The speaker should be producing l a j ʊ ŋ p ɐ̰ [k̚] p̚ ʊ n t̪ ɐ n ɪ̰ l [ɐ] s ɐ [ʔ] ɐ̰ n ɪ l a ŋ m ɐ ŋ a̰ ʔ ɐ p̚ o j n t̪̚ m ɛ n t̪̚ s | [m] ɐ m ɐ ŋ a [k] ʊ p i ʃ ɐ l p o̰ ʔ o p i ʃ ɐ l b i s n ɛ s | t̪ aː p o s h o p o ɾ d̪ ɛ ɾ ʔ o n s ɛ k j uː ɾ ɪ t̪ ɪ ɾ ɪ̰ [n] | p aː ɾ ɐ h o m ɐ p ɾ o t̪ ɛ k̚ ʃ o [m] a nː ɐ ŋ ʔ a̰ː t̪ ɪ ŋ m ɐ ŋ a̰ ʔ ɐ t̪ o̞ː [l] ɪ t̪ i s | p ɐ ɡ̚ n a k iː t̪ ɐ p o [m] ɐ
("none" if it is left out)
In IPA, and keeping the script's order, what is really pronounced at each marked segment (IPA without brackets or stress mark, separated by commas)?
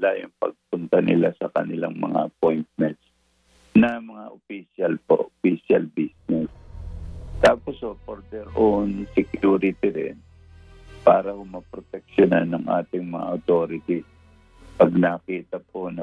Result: ɡ̚, a, k, n, ʔ, n, n, ɾ, n